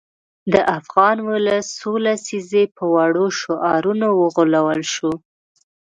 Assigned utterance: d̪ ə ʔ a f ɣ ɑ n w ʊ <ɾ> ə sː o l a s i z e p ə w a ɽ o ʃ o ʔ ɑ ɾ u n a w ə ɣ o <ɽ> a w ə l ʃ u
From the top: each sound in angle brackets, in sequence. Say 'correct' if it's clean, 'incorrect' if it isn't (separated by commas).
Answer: incorrect, incorrect